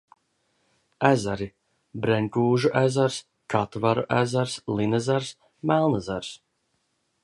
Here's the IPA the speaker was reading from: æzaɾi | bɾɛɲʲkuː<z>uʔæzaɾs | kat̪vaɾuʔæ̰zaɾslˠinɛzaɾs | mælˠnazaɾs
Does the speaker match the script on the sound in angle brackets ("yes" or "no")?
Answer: no